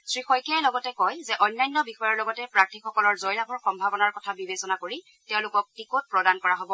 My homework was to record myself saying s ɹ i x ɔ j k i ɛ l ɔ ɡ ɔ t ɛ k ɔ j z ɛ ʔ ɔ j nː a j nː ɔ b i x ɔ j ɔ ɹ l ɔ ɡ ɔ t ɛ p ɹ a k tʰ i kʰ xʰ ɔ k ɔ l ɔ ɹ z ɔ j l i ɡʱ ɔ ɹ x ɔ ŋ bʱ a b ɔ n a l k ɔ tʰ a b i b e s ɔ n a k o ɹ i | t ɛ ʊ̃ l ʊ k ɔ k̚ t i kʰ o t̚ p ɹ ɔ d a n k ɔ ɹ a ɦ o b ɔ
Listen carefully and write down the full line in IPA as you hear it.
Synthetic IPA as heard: s ɹ i x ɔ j k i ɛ l ɔ ɡ ɔ t ɛ k ɔ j z ɛ ʔ ɔ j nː a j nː ɔ b i x ɔ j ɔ ɹ l ɔ ɡ ɔ t ɛ p ɹ a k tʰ i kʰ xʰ ɔ k ɔ l ɔ ɹ z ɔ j l a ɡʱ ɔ ɹ x ɔ m bʱ a b ɔ n a ɹ k ɔ tʰ a b i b e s ɔ n a k o ɹ i | t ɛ ʊ̃ l ʊ k ɔ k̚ t i k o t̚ p ɹ ɔ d a n k ɔ ɹ a ɦ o b ɔ